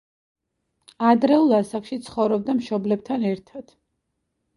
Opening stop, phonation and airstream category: plain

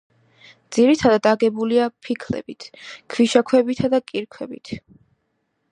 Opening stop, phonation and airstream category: plain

